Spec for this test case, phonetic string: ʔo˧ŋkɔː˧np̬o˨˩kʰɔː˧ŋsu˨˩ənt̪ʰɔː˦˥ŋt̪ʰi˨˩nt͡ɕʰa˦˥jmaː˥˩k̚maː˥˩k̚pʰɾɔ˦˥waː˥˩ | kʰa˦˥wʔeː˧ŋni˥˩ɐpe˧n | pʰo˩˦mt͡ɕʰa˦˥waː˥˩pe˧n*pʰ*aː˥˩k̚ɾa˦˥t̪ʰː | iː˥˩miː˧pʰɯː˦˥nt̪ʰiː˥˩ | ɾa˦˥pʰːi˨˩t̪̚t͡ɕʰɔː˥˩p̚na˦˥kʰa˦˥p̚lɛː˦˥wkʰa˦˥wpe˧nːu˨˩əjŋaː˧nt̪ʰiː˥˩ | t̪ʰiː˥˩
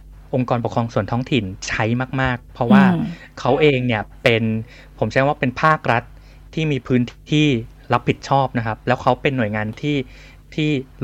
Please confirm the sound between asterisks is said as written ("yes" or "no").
yes